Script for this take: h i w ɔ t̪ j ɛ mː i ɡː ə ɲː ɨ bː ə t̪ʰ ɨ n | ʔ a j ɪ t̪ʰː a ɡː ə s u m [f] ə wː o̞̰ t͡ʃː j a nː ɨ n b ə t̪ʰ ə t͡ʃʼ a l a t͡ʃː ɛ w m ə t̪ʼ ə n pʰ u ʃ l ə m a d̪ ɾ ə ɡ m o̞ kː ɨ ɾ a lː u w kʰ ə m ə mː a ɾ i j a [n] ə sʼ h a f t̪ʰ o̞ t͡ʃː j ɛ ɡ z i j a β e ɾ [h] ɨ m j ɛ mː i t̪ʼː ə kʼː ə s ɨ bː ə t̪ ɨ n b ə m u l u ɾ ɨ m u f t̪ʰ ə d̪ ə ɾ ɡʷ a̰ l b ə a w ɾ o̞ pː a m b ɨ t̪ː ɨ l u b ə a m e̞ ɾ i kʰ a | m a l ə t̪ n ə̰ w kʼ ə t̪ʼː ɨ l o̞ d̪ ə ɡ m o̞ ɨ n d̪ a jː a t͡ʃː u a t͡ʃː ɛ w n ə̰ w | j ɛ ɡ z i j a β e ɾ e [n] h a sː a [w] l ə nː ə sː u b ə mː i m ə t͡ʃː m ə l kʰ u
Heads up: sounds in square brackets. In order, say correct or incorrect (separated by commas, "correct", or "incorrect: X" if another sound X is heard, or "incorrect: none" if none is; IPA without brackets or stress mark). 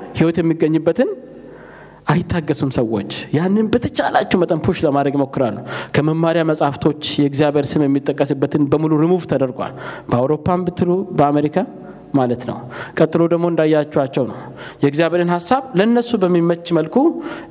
incorrect: s, incorrect: m, incorrect: s, correct, incorrect: β